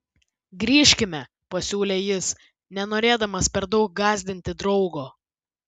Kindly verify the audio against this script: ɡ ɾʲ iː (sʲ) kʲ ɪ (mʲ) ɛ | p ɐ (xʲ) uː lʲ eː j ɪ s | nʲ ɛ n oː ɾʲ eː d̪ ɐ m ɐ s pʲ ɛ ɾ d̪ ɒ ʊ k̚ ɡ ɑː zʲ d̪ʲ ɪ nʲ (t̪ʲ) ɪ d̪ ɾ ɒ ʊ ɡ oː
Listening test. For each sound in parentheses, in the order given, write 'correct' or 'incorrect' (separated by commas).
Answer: incorrect, correct, incorrect, correct